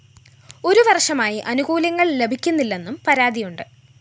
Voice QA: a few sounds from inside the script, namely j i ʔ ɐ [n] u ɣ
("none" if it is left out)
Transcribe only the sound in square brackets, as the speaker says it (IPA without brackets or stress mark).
n